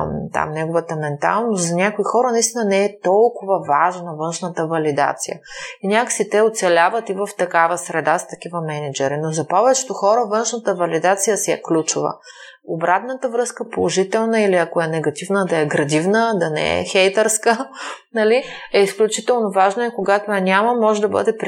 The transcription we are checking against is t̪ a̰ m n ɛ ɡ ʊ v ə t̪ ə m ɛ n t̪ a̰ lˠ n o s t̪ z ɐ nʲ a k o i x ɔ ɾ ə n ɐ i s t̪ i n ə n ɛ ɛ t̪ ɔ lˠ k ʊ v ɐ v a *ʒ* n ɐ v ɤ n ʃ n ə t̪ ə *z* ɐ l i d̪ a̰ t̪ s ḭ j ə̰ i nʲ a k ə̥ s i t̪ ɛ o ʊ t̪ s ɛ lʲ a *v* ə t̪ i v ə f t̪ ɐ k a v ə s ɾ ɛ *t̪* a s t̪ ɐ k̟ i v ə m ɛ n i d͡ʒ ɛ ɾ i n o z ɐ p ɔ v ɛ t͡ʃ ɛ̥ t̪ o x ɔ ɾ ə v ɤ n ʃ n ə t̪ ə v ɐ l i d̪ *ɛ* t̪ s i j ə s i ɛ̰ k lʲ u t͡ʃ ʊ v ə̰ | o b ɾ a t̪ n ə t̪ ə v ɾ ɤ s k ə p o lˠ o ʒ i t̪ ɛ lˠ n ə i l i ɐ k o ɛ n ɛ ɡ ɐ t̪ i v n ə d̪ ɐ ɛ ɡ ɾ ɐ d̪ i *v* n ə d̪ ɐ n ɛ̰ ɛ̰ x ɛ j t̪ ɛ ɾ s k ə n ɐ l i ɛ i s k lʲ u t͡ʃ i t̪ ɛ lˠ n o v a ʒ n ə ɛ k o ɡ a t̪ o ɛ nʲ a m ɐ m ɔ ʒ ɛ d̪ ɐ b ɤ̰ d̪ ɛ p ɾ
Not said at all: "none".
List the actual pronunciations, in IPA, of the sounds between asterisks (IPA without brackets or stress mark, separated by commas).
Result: ʒ, v, v, d̪, a, v